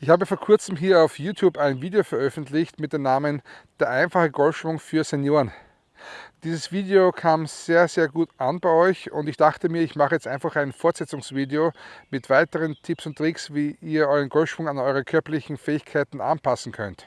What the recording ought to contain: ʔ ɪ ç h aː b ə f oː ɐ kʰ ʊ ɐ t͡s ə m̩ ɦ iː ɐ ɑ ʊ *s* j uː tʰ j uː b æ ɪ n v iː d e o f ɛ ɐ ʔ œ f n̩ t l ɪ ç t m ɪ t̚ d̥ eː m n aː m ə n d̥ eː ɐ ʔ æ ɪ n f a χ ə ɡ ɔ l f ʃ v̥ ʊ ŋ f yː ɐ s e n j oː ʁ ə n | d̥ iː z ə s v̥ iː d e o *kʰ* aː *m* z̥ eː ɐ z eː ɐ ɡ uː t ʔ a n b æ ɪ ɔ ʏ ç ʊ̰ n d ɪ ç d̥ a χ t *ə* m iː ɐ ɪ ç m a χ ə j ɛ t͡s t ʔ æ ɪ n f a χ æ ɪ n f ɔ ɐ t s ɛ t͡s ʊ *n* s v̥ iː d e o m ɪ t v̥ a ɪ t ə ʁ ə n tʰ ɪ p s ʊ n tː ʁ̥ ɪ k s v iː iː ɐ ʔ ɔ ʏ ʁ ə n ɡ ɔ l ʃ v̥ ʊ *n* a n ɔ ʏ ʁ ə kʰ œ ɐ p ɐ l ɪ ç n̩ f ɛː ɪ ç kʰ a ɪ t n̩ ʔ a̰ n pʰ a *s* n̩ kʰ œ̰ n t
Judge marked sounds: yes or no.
no, yes, yes, yes, no, no, yes

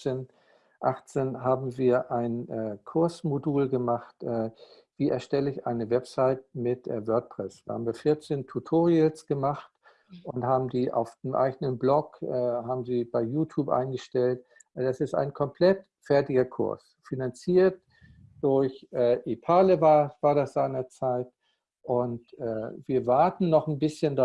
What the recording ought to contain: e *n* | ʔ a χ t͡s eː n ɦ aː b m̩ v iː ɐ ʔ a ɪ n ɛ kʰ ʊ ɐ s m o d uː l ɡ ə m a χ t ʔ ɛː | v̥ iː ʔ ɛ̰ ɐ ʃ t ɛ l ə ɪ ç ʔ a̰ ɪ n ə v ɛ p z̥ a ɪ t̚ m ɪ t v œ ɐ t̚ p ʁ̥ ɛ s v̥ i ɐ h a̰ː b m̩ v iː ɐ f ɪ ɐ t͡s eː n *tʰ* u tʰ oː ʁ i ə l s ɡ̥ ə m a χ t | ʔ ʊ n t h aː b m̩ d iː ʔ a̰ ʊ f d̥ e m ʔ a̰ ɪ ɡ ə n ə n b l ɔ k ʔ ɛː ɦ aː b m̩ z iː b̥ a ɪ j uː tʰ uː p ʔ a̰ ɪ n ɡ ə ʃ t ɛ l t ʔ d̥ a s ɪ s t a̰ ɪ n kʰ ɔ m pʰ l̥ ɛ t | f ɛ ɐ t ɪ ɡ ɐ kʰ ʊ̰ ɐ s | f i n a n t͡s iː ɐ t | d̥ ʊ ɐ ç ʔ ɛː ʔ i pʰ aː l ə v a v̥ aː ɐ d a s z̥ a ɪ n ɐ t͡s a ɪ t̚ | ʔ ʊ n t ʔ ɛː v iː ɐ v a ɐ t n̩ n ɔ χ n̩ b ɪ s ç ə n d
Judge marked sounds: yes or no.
yes, yes

